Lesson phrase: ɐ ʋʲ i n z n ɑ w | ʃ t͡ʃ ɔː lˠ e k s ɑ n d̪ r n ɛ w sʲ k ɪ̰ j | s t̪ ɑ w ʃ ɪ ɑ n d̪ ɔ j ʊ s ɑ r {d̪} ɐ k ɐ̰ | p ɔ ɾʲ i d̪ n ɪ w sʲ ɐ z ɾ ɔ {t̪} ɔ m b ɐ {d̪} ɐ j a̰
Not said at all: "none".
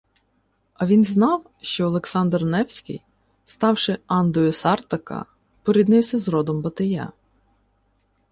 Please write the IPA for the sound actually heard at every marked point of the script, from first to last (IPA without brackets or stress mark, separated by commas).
t̪, d̪, t̪